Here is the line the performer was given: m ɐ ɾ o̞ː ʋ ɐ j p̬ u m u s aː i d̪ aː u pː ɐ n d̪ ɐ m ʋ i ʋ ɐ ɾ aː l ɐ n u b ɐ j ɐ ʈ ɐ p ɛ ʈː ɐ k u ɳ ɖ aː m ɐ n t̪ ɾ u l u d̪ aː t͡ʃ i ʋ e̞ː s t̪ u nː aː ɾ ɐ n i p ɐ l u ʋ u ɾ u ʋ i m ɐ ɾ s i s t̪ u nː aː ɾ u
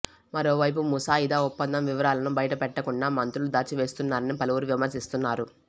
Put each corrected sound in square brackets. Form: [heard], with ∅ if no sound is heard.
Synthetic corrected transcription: m ɐ ɾ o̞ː ʋ ɐ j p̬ u m u s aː i d̪ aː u pː ɐ n d̪ ɐ m ʋ i ʋ ɐ ɾ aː l ɐ n u b ɐ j ɐ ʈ ɐ p ɛ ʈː ɐ k u ɳ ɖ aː m ɐ n t̪ ɾ u l u d̪ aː t͡ʃ i ʋ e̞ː s t̪ u nː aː ɾ ɐ n i p ɐ l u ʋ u ɾ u ʋ i m ɐ ɾ s i s t̪ u nː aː ɾ u